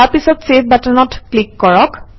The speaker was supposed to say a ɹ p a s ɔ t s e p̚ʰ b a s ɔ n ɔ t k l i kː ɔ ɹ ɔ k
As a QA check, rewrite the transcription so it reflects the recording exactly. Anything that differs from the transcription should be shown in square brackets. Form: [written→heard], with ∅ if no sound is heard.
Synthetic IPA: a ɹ p [a→i] s ɔ t s e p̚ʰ b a [s→t] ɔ n ɔ t k l i kː ɔ ɹ ɔ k

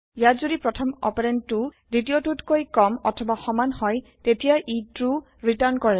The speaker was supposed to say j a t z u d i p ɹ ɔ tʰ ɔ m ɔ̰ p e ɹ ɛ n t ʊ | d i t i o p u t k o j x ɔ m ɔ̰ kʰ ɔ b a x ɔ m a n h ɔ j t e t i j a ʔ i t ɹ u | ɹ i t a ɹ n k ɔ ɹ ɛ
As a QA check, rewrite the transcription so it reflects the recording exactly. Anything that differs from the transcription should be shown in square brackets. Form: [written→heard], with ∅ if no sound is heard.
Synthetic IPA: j a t z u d i p ɹ ɔ tʰ ɔ m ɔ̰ p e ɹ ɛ n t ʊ | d i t i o [p→t] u t k o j [x→k] ɔ m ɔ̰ [kʰ→tʰ] ɔ b a x ɔ m a n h ɔ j t e t i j a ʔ i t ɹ u | ɹ i t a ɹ n k ɔ ɹ ɛ

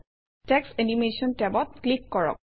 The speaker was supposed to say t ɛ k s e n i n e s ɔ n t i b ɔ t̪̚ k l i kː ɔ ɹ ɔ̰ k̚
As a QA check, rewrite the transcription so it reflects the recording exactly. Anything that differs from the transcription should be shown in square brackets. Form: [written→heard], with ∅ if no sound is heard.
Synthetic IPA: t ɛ k s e n i [n→m] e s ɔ n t [i→ɛ] b ɔ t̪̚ k l i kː ɔ ɹ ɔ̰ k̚

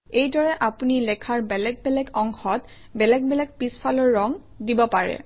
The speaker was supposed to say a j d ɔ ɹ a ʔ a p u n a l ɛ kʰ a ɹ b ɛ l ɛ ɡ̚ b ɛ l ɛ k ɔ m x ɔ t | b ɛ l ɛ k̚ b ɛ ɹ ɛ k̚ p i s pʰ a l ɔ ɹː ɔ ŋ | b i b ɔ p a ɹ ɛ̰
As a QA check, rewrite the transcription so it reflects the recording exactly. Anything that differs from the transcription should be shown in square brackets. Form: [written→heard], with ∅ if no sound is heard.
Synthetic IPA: [a→e] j d ɔ ɹ [a→ɛ] ʔ a p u n [a→i] l ɛ kʰ a ɹ b ɛ l ɛ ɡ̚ b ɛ l ɛ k ɔ [m→ŋ] x ɔ t | b ɛ l ɛ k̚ b ɛ [ɹ→l] ɛ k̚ p i s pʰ a l ɔ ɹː ɔ ŋ | [b→d] i b ɔ p a ɹ ɛ̰

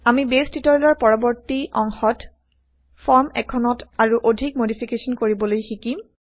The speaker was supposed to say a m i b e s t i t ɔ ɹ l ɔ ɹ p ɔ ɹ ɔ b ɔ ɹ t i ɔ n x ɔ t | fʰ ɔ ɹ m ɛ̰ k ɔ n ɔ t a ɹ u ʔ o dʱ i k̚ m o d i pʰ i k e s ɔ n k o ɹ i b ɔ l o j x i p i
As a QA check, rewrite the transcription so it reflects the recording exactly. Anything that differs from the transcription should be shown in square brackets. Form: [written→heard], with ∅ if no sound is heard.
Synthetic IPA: a m i b e s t i t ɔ ɹ l ɔ ɹ p ɔ ɹ ɔ b ɔ ɹ t i ɔ [n→ŋ] x ɔ t | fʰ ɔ ɹ m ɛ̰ [k→kʰ] ɔ n ɔ t a ɹ u ʔ o dʱ i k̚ m o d i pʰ i k e s ɔ n k o ɹ i b ɔ l o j x i [p→k] i

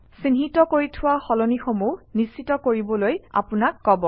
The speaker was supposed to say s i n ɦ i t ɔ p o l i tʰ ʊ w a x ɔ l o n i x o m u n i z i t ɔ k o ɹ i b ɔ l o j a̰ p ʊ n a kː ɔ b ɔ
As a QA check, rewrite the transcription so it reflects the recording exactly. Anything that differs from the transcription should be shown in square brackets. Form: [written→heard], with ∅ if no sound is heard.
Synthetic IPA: s i n ɦ i t ɔ [p→k] o [l→ɹ] i tʰ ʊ w a x ɔ l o n i x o m u n i [z→s] i t ɔ k o ɹ i b ɔ l o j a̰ p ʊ n a kː ɔ b ɔ

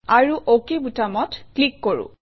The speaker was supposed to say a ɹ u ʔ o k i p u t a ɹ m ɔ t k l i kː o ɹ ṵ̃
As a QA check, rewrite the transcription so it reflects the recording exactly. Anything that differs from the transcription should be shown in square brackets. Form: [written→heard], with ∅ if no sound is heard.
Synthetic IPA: a ɹ u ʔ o k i [p→b] u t a [ɹ→∅] m ɔ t k l i kː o ɹ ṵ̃

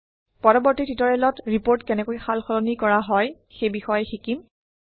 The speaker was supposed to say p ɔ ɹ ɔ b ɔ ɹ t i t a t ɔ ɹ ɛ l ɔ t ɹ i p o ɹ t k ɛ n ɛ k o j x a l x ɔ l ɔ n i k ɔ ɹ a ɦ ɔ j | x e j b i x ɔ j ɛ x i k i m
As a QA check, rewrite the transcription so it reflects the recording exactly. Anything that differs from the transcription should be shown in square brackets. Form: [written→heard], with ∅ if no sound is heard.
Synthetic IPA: p ɔ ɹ ɔ b ɔ ɹ t i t [a→i] t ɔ ɹ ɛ l ɔ t ɹ i p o ɹ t k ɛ n ɛ k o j x a l x ɔ l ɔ n i k ɔ ɹ a ɦ ɔ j | x e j b i x ɔ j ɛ x i k i m

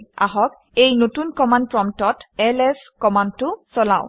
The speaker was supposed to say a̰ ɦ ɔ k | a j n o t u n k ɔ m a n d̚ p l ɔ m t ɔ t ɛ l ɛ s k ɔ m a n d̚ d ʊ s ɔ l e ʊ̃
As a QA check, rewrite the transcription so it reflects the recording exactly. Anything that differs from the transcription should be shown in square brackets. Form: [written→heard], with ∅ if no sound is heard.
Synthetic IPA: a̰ ɦ ɔ k | [a→e] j n o t u n k ɔ m a n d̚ p [l→ɹ] ɔ m t ɔ t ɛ l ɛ s k ɔ m a n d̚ [d→t] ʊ s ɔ l [e→a] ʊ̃

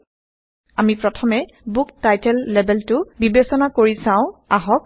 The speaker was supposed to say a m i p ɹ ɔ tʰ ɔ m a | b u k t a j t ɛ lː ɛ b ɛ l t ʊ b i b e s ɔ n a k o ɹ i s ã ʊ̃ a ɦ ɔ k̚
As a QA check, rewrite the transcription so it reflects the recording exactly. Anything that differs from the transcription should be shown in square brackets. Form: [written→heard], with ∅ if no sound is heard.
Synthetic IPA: a m i p ɹ ɔ tʰ ɔ m [a→ɛ] | b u k t a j t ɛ lː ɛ b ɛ l t ʊ b i b e s ɔ n a k o ɹ i s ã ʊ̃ a ɦ ɔ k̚

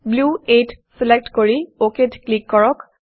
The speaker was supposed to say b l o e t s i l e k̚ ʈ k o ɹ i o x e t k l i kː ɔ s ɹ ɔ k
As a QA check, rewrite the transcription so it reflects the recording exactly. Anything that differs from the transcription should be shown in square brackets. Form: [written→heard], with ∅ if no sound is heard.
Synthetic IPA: b l [o→u] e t s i l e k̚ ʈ k o ɹ i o [x→k] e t k l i kː ɔ [s→∅] ɹ ɔ k

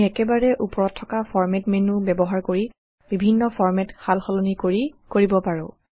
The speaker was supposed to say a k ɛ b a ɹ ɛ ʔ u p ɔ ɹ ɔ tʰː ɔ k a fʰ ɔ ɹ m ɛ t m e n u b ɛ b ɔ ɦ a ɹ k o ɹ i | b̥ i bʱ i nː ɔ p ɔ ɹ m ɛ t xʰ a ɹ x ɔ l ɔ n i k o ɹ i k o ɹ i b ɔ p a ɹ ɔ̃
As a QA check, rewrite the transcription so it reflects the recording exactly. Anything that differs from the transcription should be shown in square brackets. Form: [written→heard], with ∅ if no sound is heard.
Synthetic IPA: [a→ɛ] k ɛ b a ɹ ɛ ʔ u p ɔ ɹ ɔ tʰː ɔ k a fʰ ɔ ɹ m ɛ t m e n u b ɛ b ɔ ɦ a ɹ k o ɹ i | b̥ i bʱ i nː ɔ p ɔ ɹ m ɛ t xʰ a [ɹ→l] x ɔ l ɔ n i k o ɹ i k o ɹ i b ɔ p a ɹ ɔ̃

